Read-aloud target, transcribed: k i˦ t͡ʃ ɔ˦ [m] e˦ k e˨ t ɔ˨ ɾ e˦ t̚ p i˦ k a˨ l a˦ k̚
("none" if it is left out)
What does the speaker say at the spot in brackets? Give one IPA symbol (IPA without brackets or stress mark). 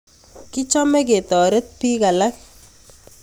m